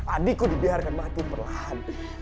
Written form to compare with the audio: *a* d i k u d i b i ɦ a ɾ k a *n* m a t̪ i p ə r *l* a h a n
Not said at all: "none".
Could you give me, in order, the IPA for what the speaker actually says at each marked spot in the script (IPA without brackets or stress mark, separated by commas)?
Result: a, n, l